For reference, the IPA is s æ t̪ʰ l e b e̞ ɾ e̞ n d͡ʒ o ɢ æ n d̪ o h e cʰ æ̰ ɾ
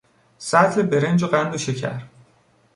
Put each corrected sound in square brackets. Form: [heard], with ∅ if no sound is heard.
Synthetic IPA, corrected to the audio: s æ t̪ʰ l e b e̞ ɾ e̞ n d͡ʒ o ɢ æ n d̪ o [ʃ] e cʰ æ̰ ɾ